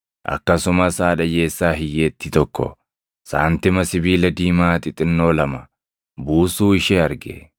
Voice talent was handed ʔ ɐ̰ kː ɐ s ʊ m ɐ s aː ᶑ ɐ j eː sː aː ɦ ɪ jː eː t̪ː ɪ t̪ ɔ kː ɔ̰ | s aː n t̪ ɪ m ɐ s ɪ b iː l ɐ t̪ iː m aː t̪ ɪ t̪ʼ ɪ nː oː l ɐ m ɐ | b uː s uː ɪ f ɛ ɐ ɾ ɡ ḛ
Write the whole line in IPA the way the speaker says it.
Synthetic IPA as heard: ʔ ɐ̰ kː ɐ s ʊ m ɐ s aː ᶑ ɐ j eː sː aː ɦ ɪ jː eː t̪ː ɪ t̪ ɔ kː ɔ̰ | s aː n t̪ ɪ m ɐ s ɪ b iː l ɐ d̪ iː m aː t̪ ɪ t̪ʼ ɪ nː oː l ɐ m ɐ | b uː s uː ɪ ʃ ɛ ɐ ɾ ɡ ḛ